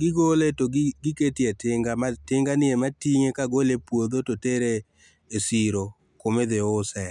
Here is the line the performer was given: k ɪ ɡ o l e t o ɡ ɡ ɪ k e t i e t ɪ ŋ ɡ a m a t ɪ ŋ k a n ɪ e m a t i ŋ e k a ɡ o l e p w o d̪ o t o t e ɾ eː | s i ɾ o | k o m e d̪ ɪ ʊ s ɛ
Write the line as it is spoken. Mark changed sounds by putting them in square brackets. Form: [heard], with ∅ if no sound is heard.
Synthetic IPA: [ɡ] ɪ ɡ o l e t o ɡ ɡ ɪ k e t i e t ɪ ŋ ɡ a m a t ɪ ŋ [ɡ] a n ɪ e m a t i ŋ e k a ɡ o l e p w o d̪ o t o t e ɾ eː | s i ɾ o | k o m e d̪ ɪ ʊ s ɛ